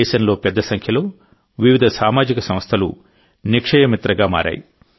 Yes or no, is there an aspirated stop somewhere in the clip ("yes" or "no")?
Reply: yes